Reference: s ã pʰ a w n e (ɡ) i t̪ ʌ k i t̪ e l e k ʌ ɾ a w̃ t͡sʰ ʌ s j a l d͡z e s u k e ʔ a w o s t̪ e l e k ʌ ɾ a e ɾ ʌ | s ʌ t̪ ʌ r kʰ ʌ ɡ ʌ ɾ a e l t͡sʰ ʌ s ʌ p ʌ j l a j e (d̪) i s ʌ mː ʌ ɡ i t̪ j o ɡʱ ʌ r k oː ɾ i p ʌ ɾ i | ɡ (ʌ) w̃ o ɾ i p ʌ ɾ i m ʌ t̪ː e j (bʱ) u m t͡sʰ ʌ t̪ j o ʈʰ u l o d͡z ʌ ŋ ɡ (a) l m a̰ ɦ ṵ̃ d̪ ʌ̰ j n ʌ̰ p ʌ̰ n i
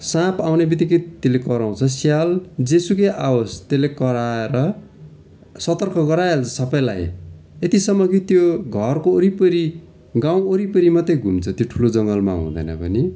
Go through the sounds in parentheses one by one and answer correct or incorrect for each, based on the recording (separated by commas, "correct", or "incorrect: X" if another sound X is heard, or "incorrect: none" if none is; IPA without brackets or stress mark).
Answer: incorrect: b, incorrect: t̪, incorrect: a, incorrect: ɡʱ, incorrect: ʌ